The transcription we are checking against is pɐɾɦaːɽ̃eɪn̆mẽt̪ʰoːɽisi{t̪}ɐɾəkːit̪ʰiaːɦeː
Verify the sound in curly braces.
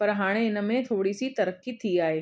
correct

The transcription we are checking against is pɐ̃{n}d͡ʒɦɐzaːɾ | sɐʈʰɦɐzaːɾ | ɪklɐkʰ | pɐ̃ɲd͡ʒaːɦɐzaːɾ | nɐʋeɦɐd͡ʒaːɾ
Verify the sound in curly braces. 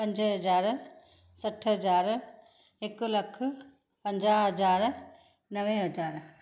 incorrect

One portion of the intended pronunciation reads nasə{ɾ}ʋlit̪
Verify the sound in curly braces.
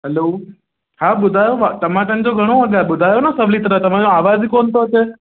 incorrect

